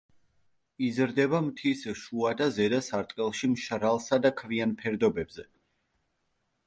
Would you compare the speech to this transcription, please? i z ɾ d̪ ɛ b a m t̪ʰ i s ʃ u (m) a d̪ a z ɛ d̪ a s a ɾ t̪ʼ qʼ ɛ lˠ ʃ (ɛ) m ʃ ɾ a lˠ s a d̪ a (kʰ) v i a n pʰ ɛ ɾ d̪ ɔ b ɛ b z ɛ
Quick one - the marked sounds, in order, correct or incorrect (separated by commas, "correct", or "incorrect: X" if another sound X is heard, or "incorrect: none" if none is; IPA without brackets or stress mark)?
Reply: incorrect: none, incorrect: i, correct